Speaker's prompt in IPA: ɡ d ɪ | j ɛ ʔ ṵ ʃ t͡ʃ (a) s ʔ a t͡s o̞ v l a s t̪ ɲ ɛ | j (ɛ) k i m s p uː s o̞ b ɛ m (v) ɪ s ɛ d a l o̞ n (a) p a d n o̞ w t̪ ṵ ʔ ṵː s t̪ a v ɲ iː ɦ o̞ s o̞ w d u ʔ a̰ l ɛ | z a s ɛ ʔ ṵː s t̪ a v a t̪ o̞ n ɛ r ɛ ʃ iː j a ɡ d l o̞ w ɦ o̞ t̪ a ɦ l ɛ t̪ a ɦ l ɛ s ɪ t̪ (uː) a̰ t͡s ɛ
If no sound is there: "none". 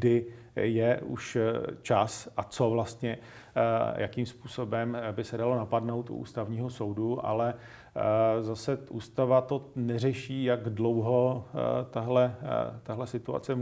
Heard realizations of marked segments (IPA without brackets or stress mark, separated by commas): a, a, b, a, u